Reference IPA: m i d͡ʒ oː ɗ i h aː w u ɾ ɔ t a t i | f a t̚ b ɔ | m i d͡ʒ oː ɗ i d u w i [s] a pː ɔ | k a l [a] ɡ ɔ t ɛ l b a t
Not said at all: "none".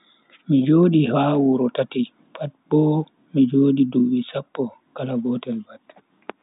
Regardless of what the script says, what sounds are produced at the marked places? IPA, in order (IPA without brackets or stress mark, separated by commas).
s, a